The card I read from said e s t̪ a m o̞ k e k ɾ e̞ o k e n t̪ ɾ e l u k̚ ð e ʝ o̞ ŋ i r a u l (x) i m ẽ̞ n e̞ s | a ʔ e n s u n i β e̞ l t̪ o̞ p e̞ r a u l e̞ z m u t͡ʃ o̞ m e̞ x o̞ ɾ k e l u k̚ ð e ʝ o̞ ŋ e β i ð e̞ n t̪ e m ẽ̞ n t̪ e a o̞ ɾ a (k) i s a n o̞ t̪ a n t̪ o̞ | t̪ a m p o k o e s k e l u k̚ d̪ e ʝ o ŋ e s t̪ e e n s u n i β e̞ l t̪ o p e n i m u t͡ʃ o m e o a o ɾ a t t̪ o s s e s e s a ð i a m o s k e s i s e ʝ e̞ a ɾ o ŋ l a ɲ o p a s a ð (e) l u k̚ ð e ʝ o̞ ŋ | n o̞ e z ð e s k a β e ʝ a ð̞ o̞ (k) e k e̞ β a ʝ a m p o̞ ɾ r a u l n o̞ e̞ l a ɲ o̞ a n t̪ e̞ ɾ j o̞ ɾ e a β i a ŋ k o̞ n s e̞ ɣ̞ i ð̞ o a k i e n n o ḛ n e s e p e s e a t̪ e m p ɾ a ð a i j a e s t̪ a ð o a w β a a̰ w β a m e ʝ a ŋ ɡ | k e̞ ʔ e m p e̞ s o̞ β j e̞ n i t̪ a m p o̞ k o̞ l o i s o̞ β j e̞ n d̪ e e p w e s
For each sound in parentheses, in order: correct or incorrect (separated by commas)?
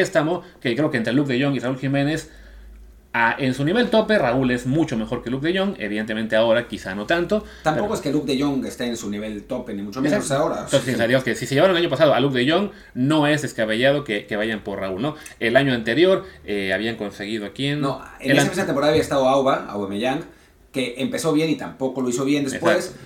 correct, correct, incorrect, correct